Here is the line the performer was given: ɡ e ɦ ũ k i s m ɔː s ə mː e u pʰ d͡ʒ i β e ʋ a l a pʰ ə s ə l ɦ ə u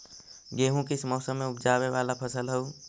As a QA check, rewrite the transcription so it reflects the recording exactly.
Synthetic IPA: ɡ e ɦ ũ k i s m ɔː s ə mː e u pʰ d͡ʒ a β e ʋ a l a pʰ ə s ə l ɦ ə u